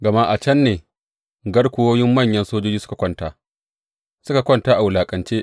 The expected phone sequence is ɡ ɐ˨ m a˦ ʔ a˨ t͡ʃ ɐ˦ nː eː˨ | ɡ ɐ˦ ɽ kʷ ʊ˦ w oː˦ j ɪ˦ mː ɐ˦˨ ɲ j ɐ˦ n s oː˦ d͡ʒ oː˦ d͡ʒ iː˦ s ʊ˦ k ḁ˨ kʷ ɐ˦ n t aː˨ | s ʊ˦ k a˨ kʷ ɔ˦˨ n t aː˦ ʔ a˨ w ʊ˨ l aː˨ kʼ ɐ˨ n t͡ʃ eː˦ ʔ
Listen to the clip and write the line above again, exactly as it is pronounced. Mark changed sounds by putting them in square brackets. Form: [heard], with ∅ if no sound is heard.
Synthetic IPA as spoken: ɡ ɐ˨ m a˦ ʔ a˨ t͡ʃ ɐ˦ nː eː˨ | ɡ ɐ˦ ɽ kʷ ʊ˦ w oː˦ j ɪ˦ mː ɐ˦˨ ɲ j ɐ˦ n s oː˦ d͡ʒ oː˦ d͡ʒ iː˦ s ʊ˦ k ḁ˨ kʷ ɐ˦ n t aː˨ | s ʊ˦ k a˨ kʷ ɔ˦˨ n t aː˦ ʔ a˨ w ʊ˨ l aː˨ kʼ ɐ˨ n t͡ʃ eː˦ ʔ